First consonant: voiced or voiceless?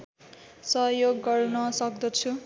voiceless